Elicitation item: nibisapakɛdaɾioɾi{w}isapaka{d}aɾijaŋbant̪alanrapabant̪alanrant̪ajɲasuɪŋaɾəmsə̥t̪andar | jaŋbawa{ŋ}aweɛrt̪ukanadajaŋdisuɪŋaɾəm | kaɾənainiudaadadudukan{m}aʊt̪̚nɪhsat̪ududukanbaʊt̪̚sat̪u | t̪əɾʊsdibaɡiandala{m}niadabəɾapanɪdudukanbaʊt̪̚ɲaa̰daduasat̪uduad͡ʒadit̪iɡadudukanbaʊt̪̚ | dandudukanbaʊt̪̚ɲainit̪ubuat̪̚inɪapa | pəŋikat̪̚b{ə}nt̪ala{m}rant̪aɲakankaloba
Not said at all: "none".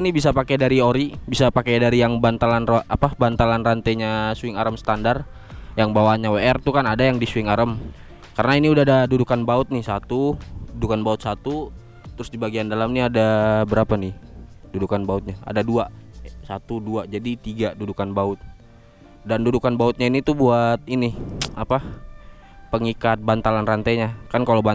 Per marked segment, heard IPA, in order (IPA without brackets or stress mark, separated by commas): b, d, ɲ, b, m, a, n